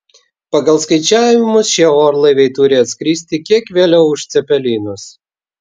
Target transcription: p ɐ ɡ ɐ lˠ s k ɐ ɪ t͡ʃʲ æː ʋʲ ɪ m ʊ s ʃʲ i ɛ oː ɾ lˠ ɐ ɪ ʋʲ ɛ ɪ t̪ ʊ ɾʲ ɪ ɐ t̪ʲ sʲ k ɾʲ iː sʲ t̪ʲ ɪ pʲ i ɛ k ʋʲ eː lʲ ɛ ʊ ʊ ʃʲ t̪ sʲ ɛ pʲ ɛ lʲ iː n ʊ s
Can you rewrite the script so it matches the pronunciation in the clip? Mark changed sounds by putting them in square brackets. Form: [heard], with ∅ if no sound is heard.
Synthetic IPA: p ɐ ɡ ɐ lˠ s k ɐ ɪ t͡ʃʲ æː ʋʲ ɪ m ʊ s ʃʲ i ɛ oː ɾ lˠ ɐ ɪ ʋʲ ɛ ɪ t̪ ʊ ɾʲ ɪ ɐ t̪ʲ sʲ k ɾʲ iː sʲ t̪ʲ ɪ [kʲ] i ɛ k ʋʲ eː lʲ ɛ ʊ ʊ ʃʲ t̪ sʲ ɛ pʲ ɛ lʲ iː n ʊ s